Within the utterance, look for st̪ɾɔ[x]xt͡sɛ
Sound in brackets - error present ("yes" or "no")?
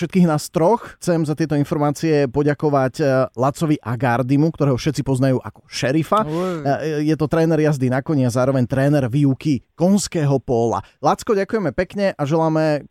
no